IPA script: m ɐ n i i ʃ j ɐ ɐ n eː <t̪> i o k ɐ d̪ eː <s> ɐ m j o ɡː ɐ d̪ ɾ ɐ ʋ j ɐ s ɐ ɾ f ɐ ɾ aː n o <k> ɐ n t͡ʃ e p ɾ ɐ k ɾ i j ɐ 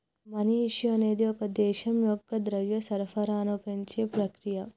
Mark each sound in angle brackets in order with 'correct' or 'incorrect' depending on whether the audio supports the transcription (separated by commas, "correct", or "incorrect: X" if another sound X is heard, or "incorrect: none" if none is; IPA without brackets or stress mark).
incorrect: d̪, incorrect: ʃ, incorrect: p